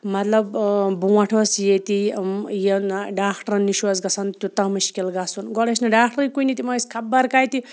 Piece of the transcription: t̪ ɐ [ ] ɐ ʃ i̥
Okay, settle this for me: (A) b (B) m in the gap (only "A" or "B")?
B